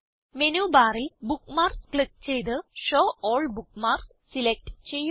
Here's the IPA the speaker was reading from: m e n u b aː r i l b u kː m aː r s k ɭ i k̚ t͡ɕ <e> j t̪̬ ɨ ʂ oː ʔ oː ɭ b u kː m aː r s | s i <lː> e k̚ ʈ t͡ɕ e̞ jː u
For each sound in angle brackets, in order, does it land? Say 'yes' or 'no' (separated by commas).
yes, no